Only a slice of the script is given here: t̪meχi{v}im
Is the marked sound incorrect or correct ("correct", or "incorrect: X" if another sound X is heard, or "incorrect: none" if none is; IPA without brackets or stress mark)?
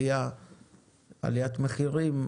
incorrect: ʁ